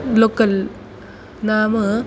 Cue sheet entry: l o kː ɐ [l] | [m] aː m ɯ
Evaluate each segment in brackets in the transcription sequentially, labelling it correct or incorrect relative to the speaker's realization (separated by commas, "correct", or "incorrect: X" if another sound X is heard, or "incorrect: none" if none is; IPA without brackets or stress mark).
correct, incorrect: n